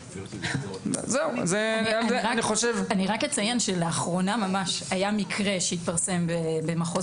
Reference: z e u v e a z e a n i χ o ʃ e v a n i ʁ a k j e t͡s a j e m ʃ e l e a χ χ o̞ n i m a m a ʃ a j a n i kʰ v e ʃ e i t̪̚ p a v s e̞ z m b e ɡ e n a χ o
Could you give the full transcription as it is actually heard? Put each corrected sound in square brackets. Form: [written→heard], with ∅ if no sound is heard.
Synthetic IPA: z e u [v→z] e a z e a n i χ o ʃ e v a n i ʁ a k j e t͡s a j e [m→n] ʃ e l e a χ [χ→ʁ] o̞ n [i→a] m a m a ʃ a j a [n→m] i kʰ [v→ʁ] e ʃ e i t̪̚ p a [v→ʁ] s e̞ [z→∅] m b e [ɡ→b] e [n→m] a χ o